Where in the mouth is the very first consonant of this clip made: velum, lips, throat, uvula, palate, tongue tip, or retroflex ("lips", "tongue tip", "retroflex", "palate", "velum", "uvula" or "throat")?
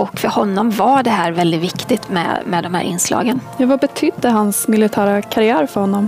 velum